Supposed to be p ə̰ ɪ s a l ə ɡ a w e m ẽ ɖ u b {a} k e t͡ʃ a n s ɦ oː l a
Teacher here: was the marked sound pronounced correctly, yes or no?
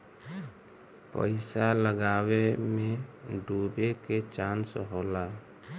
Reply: no